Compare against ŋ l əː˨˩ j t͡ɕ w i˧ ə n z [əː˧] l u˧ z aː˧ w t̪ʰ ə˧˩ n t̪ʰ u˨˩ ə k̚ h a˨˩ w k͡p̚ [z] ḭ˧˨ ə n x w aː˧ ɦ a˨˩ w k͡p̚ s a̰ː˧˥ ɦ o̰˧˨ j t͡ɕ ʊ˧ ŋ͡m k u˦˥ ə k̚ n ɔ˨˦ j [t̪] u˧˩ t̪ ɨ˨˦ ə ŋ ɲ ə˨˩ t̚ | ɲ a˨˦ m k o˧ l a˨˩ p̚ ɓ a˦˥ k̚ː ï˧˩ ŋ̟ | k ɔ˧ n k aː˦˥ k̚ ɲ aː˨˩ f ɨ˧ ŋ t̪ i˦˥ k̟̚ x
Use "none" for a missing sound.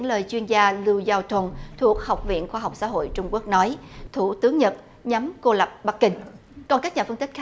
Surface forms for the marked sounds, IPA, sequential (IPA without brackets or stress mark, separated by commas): aː˧, v, t̪ʰ